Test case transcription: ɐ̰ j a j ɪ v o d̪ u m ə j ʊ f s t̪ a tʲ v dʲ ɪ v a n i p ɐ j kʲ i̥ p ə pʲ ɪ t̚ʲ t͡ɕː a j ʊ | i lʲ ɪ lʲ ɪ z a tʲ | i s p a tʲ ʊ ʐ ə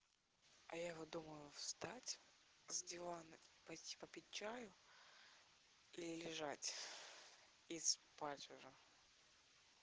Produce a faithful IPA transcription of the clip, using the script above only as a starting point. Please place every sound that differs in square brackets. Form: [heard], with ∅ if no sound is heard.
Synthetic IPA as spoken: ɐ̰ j a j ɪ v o d̪ u m ə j ʊ f s t̪ a tʲ [z] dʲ ɪ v a n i p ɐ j [tʲ] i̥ p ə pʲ ɪ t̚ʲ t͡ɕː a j ʊ | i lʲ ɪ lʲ ɪ [ʐ] a tʲ | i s p a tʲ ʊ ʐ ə